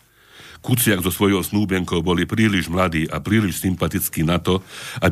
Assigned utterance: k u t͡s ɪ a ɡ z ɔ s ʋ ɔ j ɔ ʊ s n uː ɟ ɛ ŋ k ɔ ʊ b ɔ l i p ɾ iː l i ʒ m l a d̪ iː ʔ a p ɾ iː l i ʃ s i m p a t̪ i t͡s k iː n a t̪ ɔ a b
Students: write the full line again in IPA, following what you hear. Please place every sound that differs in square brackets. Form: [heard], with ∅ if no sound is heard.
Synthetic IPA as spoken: k u t͡s ɪ a ɡ z ɔ s ʋ ɔ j ɔ ʊ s n uː [b] ɛ ŋ k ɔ ʊ b ɔ l i p ɾ iː l i ʒ m l a d̪ iː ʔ a p ɾ iː l i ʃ s i m p a t̪ i t͡s k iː n a t̪ ɔ a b